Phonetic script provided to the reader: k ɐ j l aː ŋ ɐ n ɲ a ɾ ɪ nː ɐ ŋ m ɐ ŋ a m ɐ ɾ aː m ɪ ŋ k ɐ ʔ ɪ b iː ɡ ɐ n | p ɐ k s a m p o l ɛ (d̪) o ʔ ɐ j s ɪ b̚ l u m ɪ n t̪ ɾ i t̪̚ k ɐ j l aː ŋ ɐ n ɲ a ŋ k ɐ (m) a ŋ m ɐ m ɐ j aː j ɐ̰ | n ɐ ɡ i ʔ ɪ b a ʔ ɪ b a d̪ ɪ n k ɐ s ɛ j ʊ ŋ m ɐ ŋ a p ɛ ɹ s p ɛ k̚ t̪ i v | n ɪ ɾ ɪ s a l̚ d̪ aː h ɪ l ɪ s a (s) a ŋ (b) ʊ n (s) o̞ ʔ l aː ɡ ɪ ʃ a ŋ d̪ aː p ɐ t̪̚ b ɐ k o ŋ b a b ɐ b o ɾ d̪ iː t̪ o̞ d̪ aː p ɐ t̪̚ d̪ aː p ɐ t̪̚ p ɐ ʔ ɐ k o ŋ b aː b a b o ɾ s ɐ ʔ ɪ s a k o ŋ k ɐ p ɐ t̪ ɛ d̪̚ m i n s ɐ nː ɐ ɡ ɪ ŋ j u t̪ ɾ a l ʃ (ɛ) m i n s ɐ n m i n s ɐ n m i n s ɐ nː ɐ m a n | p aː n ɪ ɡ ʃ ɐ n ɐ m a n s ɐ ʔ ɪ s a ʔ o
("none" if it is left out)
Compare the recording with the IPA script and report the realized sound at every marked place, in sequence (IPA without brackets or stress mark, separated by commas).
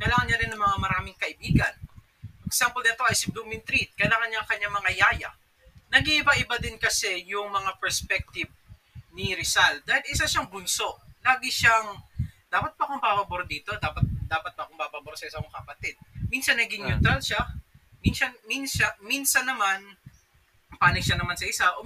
t̪, ɲ, ʃ, b, s, a